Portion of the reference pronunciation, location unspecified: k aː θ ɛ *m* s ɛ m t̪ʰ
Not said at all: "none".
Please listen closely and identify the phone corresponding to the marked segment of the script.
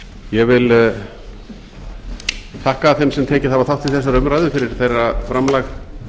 m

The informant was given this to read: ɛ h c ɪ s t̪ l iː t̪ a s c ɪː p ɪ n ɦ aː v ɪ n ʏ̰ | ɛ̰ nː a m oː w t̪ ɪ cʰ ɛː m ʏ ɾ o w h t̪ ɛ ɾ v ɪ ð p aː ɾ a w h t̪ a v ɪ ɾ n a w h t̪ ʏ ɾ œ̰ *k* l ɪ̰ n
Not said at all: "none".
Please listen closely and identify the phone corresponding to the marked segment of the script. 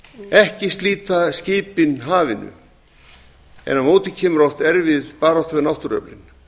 p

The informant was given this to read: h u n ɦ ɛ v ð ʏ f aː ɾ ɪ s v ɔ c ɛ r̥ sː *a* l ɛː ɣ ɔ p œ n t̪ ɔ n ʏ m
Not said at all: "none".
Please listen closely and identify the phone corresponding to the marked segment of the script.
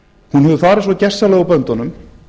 a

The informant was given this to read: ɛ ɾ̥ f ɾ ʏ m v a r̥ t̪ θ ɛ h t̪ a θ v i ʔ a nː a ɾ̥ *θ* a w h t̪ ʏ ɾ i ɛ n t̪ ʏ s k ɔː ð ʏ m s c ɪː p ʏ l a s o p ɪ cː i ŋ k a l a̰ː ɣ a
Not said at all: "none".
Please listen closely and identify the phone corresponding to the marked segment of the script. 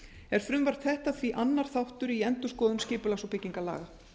θ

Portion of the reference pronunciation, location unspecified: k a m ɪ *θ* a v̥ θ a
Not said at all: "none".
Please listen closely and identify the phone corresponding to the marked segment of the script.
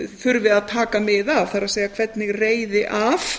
ð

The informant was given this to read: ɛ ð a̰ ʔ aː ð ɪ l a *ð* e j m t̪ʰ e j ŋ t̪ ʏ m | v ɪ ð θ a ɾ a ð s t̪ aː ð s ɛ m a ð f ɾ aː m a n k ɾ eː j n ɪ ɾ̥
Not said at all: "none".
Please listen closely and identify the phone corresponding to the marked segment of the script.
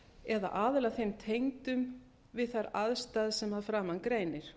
θ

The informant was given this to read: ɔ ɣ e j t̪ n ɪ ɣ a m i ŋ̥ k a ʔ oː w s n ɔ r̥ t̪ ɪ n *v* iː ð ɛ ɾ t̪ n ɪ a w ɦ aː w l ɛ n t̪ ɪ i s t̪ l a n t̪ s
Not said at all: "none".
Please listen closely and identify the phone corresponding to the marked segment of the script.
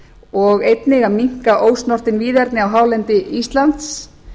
v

